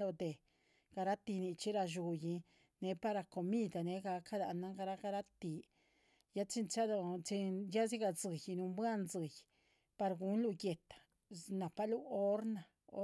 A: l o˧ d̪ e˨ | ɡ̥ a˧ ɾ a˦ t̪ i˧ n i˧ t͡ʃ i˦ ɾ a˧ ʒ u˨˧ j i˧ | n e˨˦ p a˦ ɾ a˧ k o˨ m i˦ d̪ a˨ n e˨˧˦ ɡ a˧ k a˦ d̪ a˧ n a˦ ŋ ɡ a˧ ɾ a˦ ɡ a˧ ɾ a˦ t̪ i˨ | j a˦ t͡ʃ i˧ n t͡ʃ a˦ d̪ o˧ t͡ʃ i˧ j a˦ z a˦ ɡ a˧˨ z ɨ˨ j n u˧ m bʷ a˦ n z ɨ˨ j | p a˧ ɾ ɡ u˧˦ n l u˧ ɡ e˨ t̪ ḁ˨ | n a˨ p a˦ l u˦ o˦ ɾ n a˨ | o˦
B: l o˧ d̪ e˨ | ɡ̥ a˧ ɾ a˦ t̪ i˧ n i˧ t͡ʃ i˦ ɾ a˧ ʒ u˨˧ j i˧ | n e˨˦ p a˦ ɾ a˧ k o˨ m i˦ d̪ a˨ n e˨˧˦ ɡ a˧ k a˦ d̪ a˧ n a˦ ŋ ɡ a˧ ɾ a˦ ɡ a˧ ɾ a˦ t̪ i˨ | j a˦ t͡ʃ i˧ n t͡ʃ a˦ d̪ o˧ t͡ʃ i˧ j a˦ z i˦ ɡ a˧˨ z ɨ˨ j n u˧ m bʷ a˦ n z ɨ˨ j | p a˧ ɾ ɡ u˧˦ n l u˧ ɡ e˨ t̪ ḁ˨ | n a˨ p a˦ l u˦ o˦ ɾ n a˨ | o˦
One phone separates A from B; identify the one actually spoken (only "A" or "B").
B